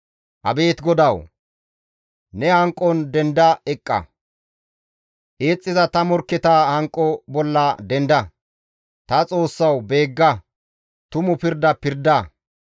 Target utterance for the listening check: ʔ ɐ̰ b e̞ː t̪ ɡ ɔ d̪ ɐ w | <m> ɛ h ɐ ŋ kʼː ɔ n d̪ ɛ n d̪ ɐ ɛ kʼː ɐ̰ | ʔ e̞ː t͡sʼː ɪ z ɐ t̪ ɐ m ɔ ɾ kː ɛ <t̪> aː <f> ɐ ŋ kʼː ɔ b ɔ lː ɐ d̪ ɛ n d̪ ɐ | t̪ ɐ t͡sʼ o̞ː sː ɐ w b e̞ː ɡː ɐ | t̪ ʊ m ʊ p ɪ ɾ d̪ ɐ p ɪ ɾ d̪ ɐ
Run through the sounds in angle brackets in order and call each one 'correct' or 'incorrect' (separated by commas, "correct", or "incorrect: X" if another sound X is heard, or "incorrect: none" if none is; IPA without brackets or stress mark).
incorrect: n, correct, incorrect: h